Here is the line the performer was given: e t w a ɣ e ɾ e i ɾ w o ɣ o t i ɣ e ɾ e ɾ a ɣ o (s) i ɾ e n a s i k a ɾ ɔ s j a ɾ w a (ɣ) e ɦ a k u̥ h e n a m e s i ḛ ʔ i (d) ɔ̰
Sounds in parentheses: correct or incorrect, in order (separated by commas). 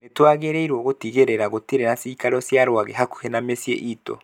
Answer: incorrect, correct, incorrect